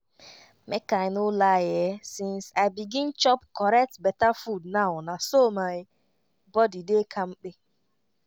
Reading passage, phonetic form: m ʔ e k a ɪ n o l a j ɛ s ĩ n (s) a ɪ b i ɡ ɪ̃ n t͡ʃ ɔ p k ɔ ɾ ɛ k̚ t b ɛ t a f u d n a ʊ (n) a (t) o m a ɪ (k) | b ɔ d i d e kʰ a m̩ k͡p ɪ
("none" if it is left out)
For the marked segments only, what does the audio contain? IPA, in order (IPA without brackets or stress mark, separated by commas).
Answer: s, n, s, none